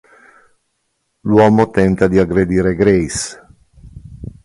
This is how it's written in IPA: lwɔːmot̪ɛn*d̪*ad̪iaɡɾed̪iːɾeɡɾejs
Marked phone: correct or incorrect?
incorrect: t̪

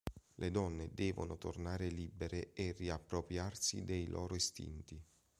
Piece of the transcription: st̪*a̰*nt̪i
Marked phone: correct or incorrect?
incorrect: ḭ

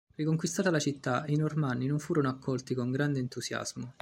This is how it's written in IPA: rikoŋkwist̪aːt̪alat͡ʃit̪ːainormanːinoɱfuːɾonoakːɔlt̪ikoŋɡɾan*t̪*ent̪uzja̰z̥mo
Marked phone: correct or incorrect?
incorrect: d̪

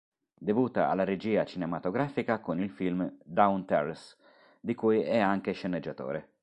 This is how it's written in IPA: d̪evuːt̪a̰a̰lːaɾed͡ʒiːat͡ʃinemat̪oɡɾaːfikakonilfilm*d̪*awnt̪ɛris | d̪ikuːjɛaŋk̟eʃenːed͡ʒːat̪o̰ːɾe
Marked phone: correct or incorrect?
correct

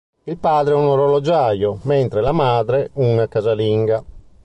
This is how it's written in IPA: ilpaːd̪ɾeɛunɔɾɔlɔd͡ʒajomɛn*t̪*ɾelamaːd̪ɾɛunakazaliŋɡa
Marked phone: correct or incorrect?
correct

